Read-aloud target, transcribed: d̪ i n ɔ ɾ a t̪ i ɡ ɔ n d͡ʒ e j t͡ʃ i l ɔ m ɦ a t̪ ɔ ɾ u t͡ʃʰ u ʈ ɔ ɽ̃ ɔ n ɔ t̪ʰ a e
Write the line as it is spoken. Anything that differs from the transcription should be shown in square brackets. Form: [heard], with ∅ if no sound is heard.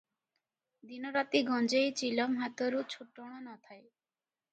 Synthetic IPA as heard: d̪ i n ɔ ɾ a t̪ i ɡ ɔ n d͡ʒ e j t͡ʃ i l ɔ m ɦ a t̪ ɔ ɾ u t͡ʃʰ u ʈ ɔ ɽ̃ ɔ n ɔ t̪ʰ a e